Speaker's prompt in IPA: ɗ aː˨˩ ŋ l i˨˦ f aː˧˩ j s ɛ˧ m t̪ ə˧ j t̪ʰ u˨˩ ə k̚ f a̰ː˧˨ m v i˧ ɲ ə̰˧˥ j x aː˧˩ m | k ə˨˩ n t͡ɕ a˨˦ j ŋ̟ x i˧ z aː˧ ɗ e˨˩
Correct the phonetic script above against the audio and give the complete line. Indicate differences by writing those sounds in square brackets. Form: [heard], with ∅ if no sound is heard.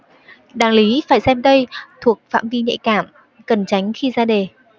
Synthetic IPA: ɗ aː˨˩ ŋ l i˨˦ f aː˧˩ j s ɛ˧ m t̪ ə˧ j t̪ʰ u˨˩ ə k̚ f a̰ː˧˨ m v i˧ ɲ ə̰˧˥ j [k] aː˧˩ m | k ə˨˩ n t͡ɕ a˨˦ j ŋ̟ x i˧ z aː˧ ɗ e˨˩